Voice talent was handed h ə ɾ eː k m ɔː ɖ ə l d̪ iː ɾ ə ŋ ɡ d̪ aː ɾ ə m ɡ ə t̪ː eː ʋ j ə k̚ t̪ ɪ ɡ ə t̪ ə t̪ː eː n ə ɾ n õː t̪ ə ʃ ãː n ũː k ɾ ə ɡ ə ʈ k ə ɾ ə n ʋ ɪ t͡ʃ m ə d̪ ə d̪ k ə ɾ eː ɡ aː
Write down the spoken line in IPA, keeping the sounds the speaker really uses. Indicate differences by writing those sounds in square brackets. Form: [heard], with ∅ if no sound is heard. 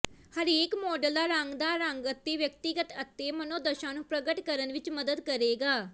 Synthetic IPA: h ə ɾ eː k m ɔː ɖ ə l d̪ [aː] ɾ ə ŋ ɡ d̪ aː ɾ ə [ŋ] ɡ ə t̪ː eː ʋ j ə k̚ t̪ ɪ ɡ ə t̪ ə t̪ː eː [m] ə [∅] n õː [d̪] ə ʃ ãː n ũː [p] ɾ ə ɡ ə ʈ k ə ɾ ə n ʋ ɪ t͡ʃ m ə d̪ ə d̪ k ə ɾ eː ɡ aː